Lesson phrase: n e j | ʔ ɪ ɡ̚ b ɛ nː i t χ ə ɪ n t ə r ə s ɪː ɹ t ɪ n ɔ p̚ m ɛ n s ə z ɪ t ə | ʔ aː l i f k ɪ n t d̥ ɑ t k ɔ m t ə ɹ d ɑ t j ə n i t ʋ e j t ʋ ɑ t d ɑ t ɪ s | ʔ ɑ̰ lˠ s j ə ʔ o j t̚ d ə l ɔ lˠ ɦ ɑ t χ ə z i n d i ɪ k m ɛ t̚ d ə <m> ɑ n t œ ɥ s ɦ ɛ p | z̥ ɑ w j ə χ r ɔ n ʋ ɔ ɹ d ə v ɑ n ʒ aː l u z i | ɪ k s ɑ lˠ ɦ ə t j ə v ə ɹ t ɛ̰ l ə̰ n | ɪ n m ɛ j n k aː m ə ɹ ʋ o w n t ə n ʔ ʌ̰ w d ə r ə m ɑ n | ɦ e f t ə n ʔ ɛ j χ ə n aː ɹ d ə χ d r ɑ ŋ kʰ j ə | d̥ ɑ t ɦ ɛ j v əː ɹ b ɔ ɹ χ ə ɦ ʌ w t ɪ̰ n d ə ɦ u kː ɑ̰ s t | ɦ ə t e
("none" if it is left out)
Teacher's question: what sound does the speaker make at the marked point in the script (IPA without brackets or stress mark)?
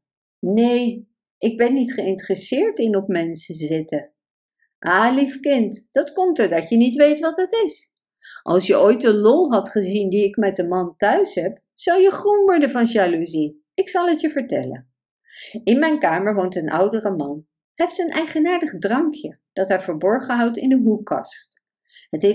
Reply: m